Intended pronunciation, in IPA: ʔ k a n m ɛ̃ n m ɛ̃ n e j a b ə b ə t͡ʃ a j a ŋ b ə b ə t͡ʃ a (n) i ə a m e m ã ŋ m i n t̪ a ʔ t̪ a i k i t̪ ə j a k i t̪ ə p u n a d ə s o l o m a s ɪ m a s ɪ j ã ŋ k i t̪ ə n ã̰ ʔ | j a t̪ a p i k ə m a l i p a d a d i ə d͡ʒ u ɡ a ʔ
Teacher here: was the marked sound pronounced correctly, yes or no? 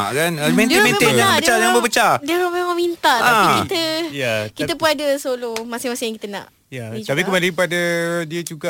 no